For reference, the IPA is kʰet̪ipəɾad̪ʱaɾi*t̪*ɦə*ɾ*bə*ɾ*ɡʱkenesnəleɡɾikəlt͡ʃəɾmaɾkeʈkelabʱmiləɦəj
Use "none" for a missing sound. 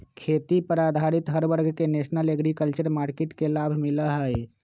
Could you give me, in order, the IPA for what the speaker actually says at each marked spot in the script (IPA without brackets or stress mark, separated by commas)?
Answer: t̪, ɾ, ɾ